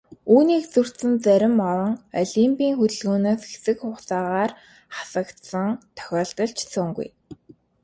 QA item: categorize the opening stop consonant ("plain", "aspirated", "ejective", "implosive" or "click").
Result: plain